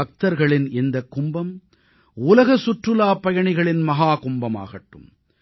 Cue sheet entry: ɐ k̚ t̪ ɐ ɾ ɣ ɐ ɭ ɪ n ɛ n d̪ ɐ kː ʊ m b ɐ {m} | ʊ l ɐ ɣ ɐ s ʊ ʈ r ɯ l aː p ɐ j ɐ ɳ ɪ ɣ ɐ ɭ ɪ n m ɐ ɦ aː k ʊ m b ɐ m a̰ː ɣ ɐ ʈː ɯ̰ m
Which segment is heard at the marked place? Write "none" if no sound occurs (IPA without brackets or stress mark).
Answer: m